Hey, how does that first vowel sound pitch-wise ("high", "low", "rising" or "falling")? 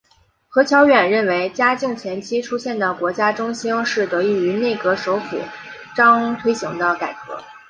rising